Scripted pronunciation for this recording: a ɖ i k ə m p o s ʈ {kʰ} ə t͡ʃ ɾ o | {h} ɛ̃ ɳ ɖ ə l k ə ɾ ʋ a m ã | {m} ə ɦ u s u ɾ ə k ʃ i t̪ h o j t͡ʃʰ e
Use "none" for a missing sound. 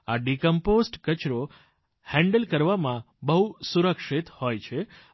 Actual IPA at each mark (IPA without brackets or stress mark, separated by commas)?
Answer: k, h, b